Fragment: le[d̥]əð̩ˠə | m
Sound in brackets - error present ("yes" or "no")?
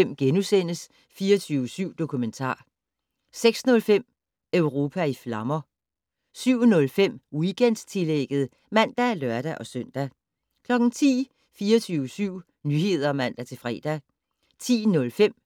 yes